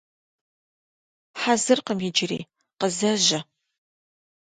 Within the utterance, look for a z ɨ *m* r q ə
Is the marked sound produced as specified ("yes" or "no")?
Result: no